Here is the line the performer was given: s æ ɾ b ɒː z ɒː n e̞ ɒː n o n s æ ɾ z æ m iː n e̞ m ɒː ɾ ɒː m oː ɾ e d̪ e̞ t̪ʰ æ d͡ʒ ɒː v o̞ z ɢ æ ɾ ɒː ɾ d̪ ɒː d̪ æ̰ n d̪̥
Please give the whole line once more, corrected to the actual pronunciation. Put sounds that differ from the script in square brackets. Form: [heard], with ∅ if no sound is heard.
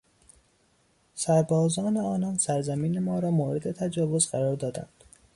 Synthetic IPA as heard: s æ ɾ b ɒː z ɒː n e̞ ɒː n [ɒ] n s æ ɾ z æ m iː n e̞ m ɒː ɾ ɒː m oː ɾ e d̪ e̞ t̪ʰ æ d͡ʒ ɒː v o̞ z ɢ æ ɾ ɒː ɾ d̪ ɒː d̪ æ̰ n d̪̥